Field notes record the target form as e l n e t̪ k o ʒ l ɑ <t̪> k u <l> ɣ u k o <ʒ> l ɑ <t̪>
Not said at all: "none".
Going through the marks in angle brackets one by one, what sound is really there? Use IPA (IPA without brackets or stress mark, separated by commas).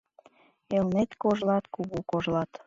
t̪, none, ʒ, t̪